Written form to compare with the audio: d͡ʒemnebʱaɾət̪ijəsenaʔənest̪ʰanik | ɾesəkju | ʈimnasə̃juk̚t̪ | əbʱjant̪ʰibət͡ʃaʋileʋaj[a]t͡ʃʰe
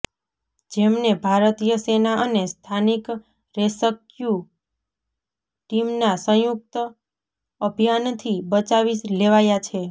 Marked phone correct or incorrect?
correct